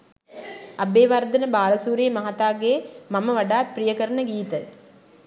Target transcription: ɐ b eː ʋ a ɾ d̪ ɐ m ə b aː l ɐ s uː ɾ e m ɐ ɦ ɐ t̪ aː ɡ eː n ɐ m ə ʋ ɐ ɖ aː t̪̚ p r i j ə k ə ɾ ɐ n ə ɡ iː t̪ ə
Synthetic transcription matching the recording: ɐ b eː ʋ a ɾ d̪ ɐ n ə b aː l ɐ s uː ɾ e m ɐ ɦ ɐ t̪ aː ɡ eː m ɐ m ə ʋ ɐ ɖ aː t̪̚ p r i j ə k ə ɾ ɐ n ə ɡ iː t̪ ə